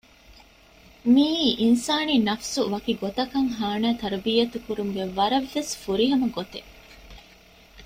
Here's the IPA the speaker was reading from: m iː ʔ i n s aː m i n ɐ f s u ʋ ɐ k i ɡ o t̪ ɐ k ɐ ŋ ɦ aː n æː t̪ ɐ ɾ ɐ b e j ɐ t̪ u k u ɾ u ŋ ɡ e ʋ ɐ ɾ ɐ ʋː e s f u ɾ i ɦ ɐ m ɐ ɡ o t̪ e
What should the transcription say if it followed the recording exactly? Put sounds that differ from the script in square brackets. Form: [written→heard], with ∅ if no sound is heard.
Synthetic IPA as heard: m iː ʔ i n s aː [m→n] i n ɐ f s u ʋ ɐ k i ɡ o t̪ ɐ k ɐ ŋ ɦ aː n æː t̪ ɐ ɾ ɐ b [e→i] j ɐ t̪ u k u ɾ u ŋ ɡ e ʋ ɐ ɾ ɐ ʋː e s f u ɾ i ɦ ɐ m ɐ ɡ o t̪ e

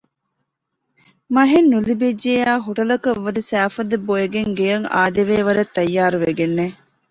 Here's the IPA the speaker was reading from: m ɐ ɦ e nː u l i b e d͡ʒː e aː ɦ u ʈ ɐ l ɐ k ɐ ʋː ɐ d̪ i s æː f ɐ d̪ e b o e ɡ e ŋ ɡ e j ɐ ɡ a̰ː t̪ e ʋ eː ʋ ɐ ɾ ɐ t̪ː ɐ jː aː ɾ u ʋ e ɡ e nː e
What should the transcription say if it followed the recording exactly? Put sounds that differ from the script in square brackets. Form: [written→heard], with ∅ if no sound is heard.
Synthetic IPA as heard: m ɐ ɦ e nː u l i b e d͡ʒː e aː ɦ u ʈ ɐ l ɐ k ɐ ʋː ɐ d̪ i s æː f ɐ d̪ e b o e ɡ e ŋ ɡ e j ɐ [ɡ→ŋ] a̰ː [t̪→d̪] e ʋ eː ʋ ɐ ɾ ɐ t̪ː ɐ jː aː ɾ u ʋ e ɡ e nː e

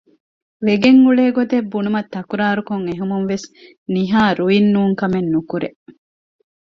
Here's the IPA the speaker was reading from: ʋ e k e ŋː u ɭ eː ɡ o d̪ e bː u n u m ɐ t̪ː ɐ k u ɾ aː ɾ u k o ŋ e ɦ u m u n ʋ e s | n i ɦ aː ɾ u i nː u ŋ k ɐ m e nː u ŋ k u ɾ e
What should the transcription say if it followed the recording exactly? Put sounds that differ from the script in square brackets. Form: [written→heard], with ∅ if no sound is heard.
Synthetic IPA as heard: ʋ e [k→ɡ] e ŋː u ɭ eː ɡ o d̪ e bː u n u m ɐ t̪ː ɐ k u ɾ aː ɾ u k o ŋ e ɦ u m u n ʋ e s | n i ɦ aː ɾ u i nː [u→uː] ŋ k ɐ m e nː u [ŋ→∅] k u ɾ e

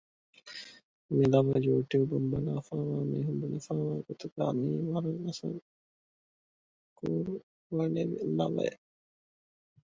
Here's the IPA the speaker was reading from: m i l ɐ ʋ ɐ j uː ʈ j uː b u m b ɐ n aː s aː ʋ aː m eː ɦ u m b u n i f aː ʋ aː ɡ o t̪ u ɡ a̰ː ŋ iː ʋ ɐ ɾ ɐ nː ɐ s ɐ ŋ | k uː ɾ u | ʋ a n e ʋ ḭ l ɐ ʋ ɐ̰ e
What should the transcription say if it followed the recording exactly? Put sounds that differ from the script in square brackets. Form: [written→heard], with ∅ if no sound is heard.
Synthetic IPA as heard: m i l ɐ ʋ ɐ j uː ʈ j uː b u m b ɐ n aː [s→f] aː ʋ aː m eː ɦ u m b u n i f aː ʋ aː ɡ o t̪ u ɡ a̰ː [ŋ→m] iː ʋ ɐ ɾ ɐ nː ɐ s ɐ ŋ | k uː ɾ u | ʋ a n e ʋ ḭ l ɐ ʋ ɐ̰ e

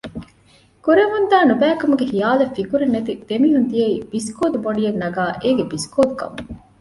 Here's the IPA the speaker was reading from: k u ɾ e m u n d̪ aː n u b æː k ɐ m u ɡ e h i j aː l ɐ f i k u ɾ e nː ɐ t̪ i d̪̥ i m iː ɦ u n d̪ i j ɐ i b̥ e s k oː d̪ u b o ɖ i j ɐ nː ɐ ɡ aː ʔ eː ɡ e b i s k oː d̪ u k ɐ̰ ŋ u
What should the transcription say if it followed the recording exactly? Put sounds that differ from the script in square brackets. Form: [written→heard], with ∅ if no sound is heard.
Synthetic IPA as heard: k u ɾ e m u n d̪ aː n u b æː k ɐ m u ɡ e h i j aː l ɐ f i k u ɾ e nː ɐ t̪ i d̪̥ [i→e] m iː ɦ u n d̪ i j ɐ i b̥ [e→i] s k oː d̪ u b o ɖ i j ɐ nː ɐ ɡ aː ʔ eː ɡ e b i s k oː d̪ u k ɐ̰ [ŋ→m] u

